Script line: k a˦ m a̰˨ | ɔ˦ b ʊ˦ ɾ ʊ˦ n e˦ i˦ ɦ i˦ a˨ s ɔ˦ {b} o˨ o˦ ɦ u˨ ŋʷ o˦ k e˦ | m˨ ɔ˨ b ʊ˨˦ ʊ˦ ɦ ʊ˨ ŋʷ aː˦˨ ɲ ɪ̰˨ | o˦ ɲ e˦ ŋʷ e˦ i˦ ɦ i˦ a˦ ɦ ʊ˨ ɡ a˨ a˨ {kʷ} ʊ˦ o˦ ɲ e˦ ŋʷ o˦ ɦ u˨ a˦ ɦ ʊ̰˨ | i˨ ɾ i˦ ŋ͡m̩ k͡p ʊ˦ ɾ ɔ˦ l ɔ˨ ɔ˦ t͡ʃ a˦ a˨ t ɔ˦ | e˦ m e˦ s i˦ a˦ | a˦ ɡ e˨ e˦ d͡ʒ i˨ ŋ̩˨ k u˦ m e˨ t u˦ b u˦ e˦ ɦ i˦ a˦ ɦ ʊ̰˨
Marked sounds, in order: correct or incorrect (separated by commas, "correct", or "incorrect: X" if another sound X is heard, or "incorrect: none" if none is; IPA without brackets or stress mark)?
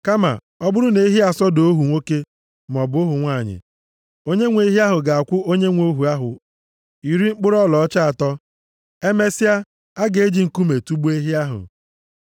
incorrect: d, correct